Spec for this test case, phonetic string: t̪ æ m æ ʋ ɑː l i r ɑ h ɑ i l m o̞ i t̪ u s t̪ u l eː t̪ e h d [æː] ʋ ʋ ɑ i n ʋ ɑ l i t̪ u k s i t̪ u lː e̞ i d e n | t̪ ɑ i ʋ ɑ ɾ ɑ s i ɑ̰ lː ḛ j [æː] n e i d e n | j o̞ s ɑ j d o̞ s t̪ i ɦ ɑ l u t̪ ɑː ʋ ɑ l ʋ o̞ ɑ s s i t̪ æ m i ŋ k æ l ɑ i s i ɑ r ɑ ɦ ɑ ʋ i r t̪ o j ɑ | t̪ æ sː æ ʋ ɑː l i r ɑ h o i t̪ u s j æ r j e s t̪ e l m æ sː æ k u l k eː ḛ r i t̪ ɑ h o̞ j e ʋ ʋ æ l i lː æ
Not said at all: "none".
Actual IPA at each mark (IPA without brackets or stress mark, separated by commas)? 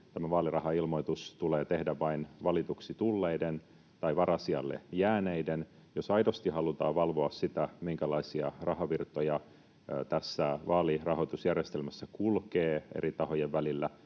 æ, æː